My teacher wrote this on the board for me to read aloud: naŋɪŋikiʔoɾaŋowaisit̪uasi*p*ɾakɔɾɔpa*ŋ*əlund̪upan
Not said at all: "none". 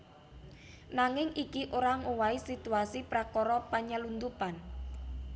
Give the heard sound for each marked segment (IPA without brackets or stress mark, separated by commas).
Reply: p, ɲ